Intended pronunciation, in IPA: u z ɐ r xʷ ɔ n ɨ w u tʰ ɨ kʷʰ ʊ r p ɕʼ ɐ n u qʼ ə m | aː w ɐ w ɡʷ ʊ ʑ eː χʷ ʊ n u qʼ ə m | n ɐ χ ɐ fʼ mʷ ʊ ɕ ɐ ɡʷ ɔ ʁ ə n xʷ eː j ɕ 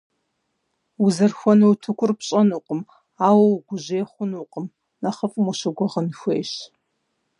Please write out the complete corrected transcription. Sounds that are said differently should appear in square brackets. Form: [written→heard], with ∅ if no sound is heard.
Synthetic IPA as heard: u z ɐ r xʷ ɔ n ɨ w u tʰ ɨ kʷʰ ʊ r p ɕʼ ɐ n u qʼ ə m | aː w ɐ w ɡʷ ʊ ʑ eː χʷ ʊ n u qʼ ə m | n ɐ χ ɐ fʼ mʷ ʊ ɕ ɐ ɡʷ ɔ ʁ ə n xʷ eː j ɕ

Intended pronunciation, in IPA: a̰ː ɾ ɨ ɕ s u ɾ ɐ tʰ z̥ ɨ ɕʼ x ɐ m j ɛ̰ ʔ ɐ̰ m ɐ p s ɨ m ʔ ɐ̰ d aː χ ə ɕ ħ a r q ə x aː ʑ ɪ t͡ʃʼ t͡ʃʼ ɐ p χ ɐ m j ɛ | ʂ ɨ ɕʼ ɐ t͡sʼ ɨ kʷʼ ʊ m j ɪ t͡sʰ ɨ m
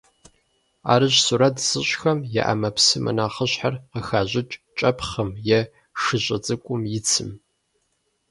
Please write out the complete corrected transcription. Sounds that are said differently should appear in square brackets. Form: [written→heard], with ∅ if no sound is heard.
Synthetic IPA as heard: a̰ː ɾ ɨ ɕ s u ɾ ɐ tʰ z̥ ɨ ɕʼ x ɐ m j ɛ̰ ʔ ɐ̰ m ɐ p s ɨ m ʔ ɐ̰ [d→n] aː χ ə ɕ ħ a r q ə x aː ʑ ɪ t͡ʃʼ t͡ʃʼ ɐ p χ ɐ m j ɛ | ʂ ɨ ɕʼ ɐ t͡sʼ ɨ kʷʼ ʊ m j ɪ t͡sʰ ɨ m

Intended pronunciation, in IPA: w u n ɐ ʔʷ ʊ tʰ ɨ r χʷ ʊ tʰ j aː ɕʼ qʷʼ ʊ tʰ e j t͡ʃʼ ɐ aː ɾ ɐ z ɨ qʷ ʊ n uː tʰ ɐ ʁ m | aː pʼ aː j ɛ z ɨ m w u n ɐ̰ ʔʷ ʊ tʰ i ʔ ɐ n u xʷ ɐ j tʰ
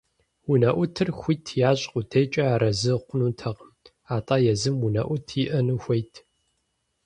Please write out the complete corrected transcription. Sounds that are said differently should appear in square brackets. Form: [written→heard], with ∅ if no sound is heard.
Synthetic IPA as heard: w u n ɐ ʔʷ ʊ tʰ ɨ r [χʷ→xʷ] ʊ tʰ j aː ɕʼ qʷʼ ʊ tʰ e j t͡ʃʼ ɐ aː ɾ ɐ z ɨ qʷ ʊ n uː tʰ ɐ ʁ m | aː [pʼ→tʼ] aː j ɛ z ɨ m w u n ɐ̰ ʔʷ ʊ tʰ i ʔ ɐ n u xʷ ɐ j tʰ

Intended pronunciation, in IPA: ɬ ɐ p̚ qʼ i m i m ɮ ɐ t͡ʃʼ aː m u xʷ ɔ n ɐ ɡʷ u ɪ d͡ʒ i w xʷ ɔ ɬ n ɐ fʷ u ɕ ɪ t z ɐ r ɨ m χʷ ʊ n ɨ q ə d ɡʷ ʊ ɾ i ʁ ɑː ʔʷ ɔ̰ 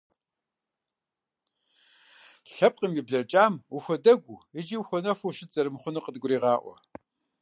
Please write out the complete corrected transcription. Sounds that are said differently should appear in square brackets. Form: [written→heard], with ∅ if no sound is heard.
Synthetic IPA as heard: ɬ ɐ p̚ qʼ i m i [m→b] ɮ ɐ t͡ʃʼ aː m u xʷ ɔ [n→d] ɐ ɡʷ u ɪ d͡ʒ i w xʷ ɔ [ɬ→∅] n ɐ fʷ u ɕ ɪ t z ɐ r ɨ m χʷ ʊ n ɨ q ə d ɡʷ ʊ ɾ [i→iː] ʁ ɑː ʔʷ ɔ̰

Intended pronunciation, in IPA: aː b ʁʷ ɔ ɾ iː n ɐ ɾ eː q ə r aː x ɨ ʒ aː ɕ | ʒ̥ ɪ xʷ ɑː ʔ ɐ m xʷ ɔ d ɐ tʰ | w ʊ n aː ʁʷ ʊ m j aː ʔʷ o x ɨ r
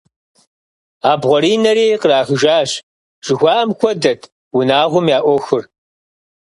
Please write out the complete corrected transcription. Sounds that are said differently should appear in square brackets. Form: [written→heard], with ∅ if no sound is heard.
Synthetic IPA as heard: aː b ʁʷ ɔ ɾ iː n ɐ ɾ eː q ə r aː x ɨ ʒ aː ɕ | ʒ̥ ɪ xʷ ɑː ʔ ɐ m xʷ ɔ d ɐ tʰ | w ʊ n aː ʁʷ ʊ m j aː ʔʷ [o→ɔ] x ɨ r

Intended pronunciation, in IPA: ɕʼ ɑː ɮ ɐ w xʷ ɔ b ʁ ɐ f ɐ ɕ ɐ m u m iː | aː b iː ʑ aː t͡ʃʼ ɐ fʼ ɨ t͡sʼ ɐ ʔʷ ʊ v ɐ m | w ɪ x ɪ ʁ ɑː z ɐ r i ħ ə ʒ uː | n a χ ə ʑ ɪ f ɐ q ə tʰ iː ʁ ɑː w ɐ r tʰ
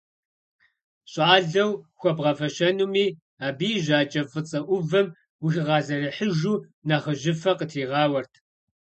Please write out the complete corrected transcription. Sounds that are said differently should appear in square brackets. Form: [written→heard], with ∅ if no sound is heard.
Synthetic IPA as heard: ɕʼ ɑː ɮ ɐ w xʷ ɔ b ʁ ɐ f ɐ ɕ ɐ [m→n] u m iː | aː b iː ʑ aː t͡ʃʼ ɐ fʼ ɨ t͡sʼ ɐ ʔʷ ʊ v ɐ m | w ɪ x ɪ ʁ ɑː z ɐ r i ħ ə ʒ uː | n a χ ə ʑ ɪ f ɐ q ə tʰ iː ʁ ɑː w ɐ r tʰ

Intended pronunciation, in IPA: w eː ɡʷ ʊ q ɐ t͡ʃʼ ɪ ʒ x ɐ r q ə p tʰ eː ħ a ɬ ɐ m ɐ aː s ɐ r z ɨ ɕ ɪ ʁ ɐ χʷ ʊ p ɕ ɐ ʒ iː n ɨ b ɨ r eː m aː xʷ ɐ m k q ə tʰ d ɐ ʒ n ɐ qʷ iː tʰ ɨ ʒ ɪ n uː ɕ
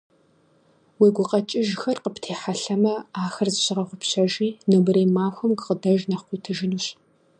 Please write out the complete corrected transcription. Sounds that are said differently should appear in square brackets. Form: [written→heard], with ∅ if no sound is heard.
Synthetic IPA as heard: w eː ɡʷ ʊ q ɐ t͡ʃʼ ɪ ʒ x ɐ r q ə p tʰ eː ħ a ɬ ɐ m ɐ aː [s→x] ɐ r z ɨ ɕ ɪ ʁ ɐ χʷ ʊ p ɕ ɐ ʒ iː n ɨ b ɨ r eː m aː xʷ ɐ m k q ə [tʰ→∅] d ɐ ʒ n ɐ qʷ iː tʰ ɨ ʒ ɪ n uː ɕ

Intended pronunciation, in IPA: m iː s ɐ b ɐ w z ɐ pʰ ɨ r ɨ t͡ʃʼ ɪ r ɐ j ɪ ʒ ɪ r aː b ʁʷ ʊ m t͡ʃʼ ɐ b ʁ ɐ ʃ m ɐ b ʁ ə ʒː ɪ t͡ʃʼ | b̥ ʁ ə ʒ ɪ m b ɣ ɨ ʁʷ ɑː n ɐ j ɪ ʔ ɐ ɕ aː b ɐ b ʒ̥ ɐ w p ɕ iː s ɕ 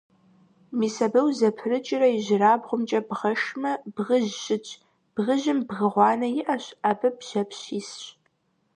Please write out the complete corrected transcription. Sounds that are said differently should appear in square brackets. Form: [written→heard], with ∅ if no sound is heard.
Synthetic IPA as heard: m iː s ɐ b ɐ w z ɐ pʰ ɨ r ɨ t͡ʃʼ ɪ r ɐ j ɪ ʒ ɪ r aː b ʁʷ ʊ m t͡ʃʼ ɐ b ʁ ɐ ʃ m ɐ b ʁ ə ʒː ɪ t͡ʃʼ | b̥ ʁ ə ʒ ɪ m b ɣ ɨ ʁʷ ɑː n ɐ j ɪ ʔ ɐ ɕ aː b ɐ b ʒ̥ ɐ [w→∅] p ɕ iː s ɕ

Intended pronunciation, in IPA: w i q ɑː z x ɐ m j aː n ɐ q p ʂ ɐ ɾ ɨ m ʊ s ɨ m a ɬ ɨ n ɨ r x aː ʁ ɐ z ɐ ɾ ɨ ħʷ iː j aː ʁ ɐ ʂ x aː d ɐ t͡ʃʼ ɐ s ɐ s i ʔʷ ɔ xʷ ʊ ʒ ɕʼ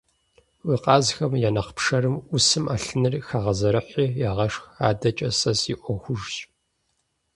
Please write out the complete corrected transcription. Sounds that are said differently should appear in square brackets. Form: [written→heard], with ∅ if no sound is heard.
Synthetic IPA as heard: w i q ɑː z x ɐ m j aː n ɐ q p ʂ ɐ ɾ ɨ m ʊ s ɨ m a ɬ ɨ n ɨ r x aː ʁ ɐ z ɐ ɾ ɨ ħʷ iː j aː ʁ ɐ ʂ x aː d ɐ t͡ʃʼ ɐ s ɐ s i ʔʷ ɔ xʷ ʊ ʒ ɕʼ

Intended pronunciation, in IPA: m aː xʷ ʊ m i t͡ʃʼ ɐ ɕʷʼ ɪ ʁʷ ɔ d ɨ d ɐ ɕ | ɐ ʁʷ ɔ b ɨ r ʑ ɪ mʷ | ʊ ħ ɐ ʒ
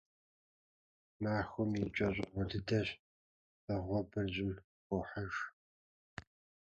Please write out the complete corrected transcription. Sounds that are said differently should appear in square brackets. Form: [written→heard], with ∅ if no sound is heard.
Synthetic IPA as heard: m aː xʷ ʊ m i t͡ʃʼ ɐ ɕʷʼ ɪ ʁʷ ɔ d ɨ d ɐ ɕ | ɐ ʁʷ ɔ b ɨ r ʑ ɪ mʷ | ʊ ħ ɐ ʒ

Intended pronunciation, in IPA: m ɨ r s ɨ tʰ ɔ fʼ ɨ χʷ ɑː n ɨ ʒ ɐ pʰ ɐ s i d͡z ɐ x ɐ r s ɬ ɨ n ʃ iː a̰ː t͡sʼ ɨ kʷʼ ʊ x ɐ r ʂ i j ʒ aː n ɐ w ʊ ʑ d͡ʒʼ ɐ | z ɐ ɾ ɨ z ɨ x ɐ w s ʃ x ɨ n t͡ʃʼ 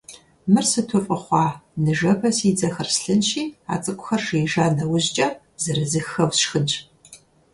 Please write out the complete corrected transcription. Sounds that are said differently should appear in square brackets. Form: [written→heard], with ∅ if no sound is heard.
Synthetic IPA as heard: m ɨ r s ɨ tʰ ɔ fʼ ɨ χʷ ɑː n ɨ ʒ ɐ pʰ ɐ s i d͡z ɐ x ɐ r s ɬ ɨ n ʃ iː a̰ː t͡sʼ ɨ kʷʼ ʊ x ɐ r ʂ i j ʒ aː n ɐ w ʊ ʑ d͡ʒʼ ɐ | z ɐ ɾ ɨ z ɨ x ɐ w s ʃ x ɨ n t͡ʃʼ

